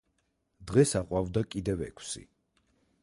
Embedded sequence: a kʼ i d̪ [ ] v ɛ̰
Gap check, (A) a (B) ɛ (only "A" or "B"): B